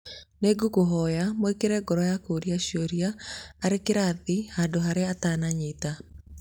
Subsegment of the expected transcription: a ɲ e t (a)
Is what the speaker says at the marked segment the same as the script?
yes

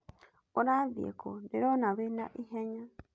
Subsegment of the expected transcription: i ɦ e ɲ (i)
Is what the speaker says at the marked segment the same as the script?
no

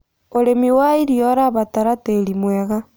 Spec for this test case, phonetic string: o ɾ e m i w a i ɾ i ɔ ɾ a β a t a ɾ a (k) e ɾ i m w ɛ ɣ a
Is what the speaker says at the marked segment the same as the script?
no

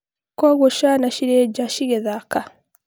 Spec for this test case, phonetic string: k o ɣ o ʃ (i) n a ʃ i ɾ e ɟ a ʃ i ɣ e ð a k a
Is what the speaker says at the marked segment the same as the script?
no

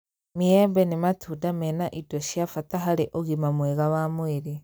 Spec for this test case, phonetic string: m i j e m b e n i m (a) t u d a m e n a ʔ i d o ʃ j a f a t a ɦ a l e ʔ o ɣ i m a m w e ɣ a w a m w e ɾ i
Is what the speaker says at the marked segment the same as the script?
yes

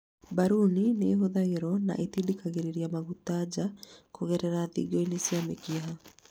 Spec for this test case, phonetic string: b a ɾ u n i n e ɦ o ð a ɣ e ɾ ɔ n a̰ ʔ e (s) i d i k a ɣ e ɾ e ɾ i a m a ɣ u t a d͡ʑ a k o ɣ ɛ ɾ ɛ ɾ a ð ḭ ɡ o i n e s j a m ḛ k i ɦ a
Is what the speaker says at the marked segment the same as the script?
no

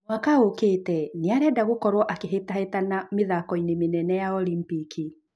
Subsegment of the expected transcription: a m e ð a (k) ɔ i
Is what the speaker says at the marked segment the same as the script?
yes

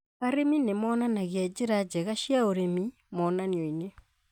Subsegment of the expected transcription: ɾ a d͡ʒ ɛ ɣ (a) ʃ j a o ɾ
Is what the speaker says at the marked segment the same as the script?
yes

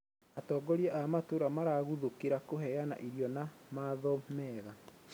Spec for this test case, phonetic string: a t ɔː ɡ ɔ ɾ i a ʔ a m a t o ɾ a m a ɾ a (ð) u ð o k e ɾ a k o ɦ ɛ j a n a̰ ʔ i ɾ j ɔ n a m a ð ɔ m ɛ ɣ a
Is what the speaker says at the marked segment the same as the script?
no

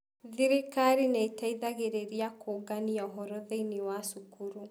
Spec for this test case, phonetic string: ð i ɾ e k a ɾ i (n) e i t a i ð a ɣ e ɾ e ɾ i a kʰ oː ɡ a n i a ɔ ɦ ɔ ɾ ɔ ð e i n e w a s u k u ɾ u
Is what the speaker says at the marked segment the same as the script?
yes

